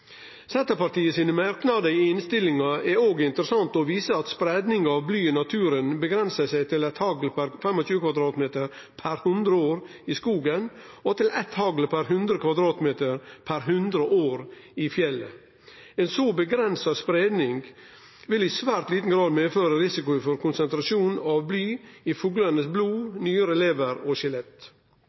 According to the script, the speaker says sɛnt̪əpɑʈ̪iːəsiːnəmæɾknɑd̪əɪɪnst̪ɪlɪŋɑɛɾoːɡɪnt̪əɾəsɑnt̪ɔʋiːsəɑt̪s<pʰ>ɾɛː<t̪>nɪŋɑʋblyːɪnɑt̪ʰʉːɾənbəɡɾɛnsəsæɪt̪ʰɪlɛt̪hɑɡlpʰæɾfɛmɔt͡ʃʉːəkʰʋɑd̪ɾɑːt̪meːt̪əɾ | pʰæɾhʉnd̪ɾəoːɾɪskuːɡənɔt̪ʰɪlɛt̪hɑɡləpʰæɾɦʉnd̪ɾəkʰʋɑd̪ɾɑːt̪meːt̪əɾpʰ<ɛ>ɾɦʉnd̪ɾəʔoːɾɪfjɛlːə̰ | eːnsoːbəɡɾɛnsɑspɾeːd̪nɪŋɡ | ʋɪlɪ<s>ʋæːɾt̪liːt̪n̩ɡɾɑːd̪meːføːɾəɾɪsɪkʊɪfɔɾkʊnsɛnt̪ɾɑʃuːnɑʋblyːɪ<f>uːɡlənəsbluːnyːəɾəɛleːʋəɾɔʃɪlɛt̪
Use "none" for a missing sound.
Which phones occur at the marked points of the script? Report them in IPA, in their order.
p, d̪, æ, s, f

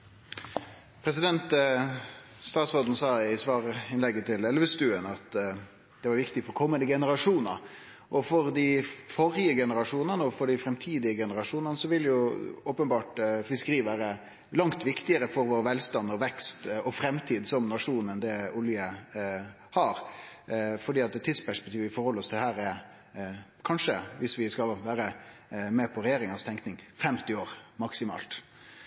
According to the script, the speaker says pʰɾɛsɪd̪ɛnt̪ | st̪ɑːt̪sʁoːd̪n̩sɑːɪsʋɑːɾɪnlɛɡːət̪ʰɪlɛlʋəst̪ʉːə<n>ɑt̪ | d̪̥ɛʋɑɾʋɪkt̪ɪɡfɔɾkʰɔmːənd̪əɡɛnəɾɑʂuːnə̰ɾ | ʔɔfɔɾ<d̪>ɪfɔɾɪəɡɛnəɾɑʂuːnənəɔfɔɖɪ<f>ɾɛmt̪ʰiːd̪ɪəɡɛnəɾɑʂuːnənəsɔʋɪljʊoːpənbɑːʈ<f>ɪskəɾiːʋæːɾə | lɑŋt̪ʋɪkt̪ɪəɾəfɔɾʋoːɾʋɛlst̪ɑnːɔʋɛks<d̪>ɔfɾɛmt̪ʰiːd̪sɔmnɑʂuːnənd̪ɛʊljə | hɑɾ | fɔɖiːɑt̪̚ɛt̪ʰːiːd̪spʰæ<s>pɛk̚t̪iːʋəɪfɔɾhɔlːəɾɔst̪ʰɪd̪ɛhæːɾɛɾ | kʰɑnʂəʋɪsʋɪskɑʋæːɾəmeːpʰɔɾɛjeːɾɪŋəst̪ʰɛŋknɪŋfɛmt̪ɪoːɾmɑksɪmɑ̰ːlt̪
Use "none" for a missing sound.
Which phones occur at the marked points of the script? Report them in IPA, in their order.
n, d̪, f, f, t̪, ʂ

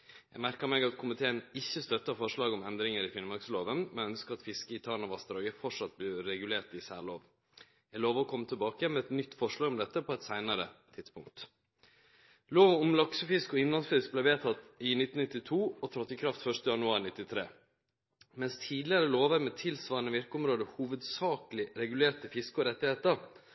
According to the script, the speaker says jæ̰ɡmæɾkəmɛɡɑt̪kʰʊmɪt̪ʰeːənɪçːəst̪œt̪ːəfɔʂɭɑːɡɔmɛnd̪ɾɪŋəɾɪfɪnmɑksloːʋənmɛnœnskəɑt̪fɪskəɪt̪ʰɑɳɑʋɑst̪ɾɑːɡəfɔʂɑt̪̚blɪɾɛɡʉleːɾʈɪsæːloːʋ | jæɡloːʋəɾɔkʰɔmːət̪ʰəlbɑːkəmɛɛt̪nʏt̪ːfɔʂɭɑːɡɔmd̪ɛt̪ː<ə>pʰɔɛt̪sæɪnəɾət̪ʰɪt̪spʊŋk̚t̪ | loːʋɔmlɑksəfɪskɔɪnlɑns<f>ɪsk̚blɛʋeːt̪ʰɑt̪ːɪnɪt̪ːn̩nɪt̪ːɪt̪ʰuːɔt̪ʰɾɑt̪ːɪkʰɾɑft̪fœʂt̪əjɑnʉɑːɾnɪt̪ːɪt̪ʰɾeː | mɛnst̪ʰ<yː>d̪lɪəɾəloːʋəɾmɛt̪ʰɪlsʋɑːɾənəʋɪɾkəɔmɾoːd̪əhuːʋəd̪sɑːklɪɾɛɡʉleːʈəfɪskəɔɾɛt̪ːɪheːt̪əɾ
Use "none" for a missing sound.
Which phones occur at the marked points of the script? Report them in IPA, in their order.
ə, f, iː

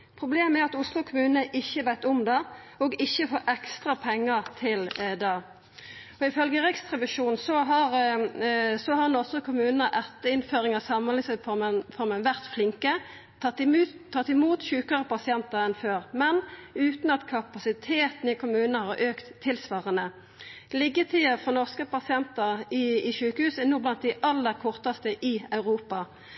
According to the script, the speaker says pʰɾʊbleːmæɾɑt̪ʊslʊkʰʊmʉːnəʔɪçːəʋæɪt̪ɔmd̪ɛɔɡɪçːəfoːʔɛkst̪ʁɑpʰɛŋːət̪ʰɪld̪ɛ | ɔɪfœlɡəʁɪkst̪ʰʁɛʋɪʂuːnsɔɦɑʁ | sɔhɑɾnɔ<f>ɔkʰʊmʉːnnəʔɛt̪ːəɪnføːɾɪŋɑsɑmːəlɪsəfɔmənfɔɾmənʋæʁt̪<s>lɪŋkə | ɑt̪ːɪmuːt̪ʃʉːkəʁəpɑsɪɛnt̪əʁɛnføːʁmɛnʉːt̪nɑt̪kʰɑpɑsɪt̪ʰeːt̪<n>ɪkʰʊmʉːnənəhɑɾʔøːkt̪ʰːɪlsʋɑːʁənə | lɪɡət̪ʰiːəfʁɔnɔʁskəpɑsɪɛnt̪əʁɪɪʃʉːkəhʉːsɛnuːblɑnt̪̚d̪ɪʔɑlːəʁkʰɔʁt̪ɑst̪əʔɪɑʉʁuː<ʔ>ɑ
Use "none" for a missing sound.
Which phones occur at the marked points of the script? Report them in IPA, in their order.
s, f, n, p

